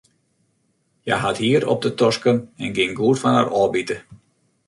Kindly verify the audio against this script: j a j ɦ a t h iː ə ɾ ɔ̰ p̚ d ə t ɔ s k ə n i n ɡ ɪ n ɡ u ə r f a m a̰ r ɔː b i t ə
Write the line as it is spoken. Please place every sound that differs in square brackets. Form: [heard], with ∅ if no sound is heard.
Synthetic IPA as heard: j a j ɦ a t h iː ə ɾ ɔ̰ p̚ d ə t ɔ s k ə n [ɛ] n ɡ ɪ [ŋ] ɡ u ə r f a [n] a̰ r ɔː b i t ə